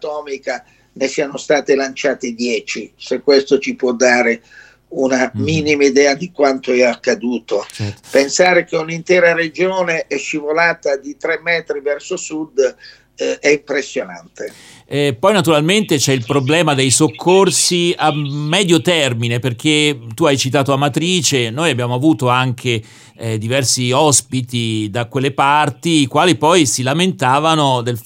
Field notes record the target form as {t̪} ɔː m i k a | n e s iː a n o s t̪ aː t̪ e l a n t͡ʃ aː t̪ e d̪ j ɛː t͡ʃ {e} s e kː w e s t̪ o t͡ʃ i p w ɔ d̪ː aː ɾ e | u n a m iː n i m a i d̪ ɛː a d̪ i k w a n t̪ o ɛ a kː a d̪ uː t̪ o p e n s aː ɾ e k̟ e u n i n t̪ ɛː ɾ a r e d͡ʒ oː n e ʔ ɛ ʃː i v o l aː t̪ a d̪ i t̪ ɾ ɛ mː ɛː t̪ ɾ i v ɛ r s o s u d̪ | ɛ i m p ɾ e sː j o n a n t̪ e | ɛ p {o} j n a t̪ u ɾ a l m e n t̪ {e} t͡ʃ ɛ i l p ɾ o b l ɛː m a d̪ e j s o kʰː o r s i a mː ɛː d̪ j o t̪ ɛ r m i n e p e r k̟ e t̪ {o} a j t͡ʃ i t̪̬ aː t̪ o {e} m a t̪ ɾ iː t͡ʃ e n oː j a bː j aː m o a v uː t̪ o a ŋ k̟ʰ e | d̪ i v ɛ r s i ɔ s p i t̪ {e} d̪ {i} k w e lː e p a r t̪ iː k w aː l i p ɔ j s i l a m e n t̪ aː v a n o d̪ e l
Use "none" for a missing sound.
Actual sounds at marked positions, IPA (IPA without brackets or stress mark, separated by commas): t̪, i, ɔ, e, u, a, i, a